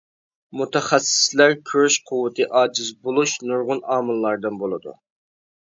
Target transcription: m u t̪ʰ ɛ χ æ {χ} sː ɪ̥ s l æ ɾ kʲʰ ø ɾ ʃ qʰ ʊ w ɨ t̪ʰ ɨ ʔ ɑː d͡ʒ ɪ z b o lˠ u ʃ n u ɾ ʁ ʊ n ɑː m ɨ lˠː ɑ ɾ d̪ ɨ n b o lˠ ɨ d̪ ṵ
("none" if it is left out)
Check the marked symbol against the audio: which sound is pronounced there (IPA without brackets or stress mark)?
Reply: none